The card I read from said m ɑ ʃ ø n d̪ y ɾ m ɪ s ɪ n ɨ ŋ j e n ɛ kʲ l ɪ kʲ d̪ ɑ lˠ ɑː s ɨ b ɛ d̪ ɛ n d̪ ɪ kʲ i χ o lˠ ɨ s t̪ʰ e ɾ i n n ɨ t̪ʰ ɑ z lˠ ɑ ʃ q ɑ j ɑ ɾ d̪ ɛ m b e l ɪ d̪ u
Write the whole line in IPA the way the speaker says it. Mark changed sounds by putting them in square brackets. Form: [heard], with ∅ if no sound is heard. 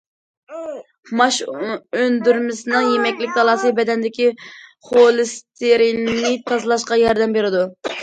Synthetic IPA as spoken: m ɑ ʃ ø n d̪ y ɾ m ɪ s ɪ n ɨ ŋ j e [m] ɛ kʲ l ɪ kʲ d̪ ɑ lˠ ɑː s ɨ b ɛ d̪ ɛ n d̪ ɪ kʲ i χ o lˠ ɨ s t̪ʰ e ɾ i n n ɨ t̪ʰ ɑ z lˠ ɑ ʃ q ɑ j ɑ ɾ d̪ ɛ m b e [ɾ] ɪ d̪ u